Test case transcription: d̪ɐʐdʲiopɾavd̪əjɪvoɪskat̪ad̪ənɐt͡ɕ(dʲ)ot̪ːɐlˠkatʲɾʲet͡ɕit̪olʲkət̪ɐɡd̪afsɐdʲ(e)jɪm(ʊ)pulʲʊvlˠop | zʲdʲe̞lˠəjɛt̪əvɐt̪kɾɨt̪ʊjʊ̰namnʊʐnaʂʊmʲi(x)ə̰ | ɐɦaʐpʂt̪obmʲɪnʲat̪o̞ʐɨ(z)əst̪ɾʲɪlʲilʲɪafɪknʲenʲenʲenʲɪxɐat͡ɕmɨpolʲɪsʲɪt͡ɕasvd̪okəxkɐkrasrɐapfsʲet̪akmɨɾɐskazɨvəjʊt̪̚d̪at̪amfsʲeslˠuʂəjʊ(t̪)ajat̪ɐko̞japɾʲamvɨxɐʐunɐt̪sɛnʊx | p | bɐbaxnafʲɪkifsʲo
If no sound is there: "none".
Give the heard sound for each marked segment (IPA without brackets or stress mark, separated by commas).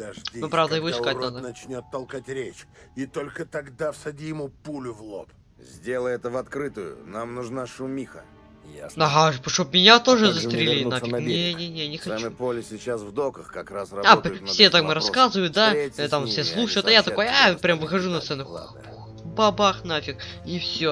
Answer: nʲ, i, u, x, z, t̪